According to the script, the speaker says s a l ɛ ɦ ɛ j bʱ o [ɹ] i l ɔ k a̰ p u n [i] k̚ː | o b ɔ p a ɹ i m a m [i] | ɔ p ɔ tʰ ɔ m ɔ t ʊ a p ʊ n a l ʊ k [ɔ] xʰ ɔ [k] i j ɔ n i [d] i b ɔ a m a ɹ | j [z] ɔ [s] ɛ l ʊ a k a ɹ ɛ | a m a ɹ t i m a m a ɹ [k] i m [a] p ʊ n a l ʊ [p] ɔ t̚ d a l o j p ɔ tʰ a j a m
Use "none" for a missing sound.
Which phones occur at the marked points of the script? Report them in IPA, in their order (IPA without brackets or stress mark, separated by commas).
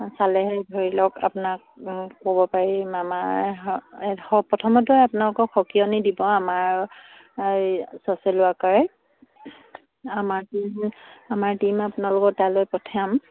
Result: ɹ, a, a, ɔ, k, d, s, s, t, a, k